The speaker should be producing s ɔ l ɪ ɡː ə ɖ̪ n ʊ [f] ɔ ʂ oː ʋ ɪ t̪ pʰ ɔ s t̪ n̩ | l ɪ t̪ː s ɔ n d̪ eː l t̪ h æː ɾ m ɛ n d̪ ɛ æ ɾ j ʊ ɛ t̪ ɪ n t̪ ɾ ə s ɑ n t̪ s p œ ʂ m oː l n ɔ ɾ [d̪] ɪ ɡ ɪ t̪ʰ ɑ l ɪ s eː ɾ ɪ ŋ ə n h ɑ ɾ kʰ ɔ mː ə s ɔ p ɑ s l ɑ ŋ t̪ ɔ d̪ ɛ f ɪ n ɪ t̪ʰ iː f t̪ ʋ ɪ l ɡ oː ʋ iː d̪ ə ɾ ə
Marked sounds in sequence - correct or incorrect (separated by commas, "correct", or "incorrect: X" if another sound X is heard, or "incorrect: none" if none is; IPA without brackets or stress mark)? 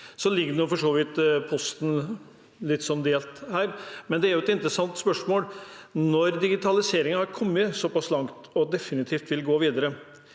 correct, correct